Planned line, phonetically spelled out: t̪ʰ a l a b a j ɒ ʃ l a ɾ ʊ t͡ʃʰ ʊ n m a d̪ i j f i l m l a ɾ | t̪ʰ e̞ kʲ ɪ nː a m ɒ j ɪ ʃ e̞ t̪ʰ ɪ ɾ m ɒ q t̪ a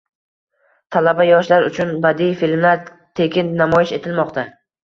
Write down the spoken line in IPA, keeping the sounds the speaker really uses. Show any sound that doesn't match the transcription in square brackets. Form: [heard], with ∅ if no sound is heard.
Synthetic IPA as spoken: t̪ʰ a l a b a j ɒ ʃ l a ɾ ʊ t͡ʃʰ ʊ n [b] a d̪ i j f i l m l a ɾ | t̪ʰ e̞ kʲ ɪ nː a m ɒ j ɪ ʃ e̞ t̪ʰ ɪ [l] m ɒ q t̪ a